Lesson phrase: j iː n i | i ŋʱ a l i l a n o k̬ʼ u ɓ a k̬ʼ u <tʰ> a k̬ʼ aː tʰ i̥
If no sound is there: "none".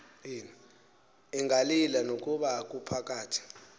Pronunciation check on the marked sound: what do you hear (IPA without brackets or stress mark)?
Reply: pʰ